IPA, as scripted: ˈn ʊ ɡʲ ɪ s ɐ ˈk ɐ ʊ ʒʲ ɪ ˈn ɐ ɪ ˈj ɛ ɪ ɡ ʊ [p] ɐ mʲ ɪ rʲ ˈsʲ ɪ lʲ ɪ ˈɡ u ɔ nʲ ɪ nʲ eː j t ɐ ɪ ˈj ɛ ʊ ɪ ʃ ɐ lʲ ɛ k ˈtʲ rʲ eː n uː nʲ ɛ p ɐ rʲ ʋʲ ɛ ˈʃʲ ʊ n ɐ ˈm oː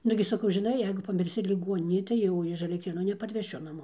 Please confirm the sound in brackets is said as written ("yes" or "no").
yes